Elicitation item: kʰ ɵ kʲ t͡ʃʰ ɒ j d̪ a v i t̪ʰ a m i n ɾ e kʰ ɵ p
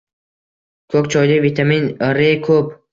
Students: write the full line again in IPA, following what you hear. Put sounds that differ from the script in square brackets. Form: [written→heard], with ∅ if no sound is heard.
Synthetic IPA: kʰ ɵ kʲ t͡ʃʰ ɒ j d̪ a v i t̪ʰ a m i n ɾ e kʰ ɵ p